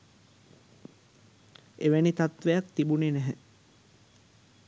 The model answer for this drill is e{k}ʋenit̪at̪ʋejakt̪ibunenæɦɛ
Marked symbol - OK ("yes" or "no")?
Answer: no